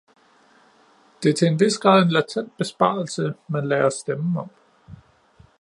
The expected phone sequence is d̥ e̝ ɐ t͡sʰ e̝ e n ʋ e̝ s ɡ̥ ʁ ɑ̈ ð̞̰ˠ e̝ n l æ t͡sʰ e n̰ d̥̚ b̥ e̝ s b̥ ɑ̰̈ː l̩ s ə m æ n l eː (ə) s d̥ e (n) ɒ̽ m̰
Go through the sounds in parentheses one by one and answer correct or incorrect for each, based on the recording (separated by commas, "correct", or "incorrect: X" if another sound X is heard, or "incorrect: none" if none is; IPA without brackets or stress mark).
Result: incorrect: ɐ, incorrect: m